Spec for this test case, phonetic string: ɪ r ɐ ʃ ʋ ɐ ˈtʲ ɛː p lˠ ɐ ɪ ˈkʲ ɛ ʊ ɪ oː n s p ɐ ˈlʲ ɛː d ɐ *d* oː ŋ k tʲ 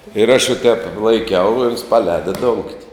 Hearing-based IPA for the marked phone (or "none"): d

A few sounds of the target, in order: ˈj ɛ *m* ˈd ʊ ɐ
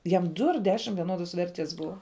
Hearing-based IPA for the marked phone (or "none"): m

